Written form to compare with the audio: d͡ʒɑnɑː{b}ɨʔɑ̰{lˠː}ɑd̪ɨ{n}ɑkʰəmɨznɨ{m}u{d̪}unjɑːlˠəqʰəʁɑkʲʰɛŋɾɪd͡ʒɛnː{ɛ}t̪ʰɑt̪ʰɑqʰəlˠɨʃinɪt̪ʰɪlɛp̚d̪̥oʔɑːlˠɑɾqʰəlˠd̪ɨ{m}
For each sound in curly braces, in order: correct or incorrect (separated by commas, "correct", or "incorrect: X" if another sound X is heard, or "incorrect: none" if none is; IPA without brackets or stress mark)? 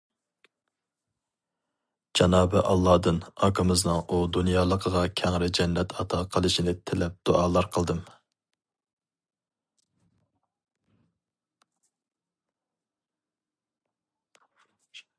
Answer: correct, correct, correct, incorrect: ŋ, correct, correct, correct